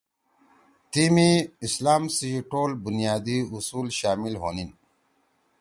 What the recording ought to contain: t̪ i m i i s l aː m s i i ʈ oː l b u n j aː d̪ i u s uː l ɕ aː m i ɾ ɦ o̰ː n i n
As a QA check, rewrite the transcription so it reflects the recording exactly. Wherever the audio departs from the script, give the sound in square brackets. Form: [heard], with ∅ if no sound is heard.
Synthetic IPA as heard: t̪ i m i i s l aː m s i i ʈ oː l b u n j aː d̪ i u s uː l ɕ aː m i [l] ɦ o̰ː n i n